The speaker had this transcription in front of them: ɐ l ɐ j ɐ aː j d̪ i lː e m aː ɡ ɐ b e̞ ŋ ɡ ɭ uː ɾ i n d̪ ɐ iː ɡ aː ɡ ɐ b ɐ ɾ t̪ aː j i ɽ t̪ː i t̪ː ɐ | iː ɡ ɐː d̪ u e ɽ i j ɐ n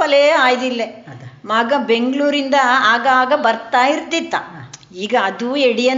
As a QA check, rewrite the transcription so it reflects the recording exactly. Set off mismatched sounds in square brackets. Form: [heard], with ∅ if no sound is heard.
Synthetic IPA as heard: ɐ l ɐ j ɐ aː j d̪ i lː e m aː ɡ ɐ b e̞ ŋ ɡ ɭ uː ɾ i n d̪ ɐ [aː] ɡ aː ɡ ɐ b ɐ ɾ t̪ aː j i [ɾ] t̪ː i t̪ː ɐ | iː ɡ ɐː d̪ u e ɽ i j ɐ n